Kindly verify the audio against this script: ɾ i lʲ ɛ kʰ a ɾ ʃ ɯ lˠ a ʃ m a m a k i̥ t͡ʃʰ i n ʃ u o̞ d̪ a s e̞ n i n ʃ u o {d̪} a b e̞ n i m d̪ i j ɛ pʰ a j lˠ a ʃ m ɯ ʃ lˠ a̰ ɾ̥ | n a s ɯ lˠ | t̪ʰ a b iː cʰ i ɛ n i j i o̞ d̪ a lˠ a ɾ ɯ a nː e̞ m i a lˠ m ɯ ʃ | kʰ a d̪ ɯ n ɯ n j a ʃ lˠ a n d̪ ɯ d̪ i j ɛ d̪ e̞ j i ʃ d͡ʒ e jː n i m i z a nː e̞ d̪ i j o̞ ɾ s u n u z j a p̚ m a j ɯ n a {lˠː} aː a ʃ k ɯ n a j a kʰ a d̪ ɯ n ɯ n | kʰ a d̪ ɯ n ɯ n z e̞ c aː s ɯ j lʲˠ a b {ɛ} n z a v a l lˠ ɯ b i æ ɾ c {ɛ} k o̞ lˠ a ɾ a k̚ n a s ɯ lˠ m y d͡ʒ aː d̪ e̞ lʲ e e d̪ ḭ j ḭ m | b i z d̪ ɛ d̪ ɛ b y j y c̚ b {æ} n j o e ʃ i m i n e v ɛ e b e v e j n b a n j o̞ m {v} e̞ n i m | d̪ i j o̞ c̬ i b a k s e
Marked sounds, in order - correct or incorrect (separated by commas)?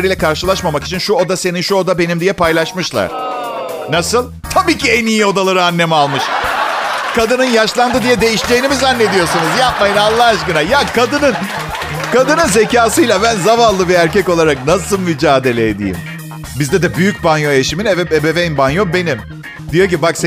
correct, correct, incorrect, correct, incorrect, incorrect